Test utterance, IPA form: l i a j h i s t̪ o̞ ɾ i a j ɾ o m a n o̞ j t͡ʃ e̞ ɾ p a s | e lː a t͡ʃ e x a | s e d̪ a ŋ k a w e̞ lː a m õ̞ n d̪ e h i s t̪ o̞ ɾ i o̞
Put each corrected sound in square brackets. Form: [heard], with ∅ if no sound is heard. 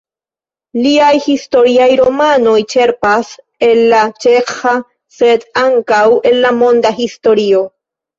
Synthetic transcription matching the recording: l i a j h i s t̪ o̞ ɾ i a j ɾ o m a n o̞ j t͡ʃ e̞ ɾ p a s | e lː a t͡ʃ e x a | s e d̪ a ŋ k a w e̞ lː a m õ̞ n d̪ [a] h i s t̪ o̞ ɾ i o̞